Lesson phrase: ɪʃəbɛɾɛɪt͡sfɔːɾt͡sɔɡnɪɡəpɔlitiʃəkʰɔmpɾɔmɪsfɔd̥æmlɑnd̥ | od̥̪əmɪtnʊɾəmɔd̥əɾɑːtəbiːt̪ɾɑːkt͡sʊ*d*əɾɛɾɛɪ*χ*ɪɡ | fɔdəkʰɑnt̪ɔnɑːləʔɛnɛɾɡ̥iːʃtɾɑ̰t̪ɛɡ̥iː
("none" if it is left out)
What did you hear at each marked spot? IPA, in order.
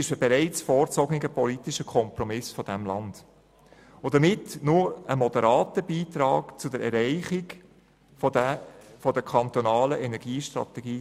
d, χ

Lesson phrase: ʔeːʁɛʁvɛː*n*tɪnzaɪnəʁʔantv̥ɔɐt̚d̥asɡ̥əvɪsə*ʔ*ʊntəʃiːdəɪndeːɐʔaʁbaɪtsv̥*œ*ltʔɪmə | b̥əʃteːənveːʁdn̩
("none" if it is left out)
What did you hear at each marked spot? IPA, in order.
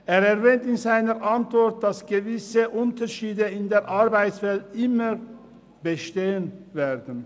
n, ʔ, ɛ

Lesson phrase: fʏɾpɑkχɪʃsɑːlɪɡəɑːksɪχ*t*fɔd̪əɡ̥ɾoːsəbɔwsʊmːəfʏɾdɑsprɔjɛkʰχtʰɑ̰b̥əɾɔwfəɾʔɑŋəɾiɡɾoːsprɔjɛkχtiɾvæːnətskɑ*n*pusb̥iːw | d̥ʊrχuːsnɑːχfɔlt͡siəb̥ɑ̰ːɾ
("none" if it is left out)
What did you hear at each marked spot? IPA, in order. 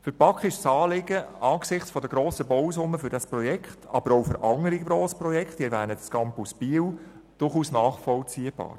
t͡s, m

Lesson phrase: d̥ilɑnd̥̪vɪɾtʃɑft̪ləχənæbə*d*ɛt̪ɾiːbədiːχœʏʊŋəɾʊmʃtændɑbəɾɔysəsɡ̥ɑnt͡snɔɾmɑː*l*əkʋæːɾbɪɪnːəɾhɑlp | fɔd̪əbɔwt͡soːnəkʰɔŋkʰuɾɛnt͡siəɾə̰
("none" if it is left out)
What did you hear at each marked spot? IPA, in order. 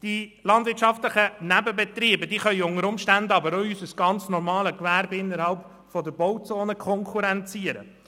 b, l

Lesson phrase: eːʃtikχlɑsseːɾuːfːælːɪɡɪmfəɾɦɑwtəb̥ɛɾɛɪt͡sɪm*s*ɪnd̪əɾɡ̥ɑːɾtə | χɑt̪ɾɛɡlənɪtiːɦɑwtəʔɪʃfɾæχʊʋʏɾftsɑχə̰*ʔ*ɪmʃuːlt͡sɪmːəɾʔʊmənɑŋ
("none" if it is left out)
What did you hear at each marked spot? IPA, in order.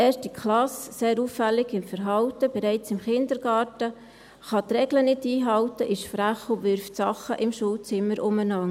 χ, ʔ

